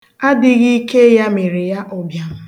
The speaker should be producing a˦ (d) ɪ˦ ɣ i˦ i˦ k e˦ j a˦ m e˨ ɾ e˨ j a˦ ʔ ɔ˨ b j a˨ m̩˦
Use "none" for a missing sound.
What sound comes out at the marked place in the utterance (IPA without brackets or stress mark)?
d